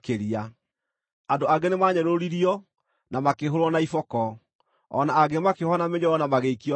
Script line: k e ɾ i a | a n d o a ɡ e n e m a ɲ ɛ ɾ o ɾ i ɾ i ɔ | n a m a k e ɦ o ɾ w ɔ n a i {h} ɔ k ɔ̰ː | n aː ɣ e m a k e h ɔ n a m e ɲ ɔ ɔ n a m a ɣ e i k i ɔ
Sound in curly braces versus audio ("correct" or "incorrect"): incorrect